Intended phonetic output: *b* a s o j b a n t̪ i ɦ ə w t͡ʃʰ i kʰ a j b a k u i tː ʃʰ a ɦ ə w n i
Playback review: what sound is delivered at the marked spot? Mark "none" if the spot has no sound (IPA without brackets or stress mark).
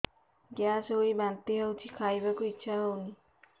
ɡ